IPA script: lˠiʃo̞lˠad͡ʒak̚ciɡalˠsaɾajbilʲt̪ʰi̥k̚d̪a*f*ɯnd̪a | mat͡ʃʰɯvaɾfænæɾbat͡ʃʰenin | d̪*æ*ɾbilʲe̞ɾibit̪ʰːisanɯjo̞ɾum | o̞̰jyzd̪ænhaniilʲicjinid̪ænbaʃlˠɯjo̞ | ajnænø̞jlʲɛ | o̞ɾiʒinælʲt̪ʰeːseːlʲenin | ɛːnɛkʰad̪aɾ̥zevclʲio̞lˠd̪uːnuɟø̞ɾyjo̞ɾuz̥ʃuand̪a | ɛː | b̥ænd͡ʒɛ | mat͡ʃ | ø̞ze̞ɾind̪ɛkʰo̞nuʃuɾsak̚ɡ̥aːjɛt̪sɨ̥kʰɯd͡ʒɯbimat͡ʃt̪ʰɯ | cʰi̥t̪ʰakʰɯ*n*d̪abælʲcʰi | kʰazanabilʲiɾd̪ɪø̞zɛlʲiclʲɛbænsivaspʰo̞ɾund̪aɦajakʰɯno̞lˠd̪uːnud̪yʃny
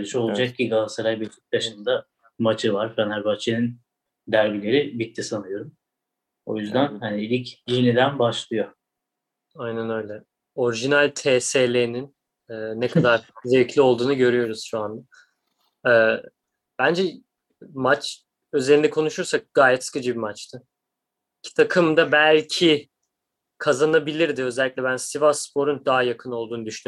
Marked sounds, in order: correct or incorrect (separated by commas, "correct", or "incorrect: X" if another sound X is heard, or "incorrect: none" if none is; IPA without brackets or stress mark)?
incorrect: ʃ, correct, incorrect: m